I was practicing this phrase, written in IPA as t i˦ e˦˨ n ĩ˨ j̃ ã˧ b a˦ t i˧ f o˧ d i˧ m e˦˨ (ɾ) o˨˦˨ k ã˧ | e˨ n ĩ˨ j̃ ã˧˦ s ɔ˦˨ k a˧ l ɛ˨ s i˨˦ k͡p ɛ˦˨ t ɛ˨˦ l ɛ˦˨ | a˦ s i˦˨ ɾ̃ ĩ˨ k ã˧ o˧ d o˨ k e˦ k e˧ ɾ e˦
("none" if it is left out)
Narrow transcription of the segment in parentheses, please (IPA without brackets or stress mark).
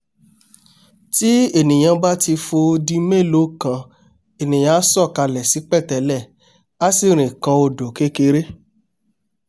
l